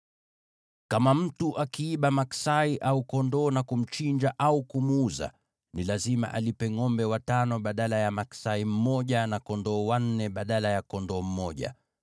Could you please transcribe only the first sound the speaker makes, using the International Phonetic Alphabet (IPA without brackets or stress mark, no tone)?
k